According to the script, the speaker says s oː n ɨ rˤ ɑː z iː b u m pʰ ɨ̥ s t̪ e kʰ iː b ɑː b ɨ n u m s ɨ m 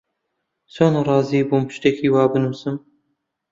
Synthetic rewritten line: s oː n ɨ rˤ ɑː z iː b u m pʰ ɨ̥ ʃ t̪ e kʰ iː w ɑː b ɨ n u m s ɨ m